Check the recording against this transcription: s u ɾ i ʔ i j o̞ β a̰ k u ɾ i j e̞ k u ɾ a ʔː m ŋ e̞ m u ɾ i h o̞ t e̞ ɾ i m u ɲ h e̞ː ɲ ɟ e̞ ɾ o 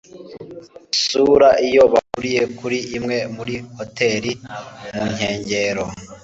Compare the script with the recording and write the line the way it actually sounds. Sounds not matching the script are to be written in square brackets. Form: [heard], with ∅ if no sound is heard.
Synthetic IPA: s u ɾ [a] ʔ i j o̞ β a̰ k u ɾ i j e̞ k u ɾ [i] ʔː m ŋ e̞ m u ɾ i h o̞ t e̞ ɾ i m u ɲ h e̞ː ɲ ɟ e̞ ɾ o